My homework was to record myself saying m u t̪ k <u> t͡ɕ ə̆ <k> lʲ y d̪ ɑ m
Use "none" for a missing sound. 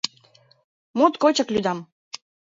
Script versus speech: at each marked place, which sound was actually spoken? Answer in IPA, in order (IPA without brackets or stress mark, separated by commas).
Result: o, k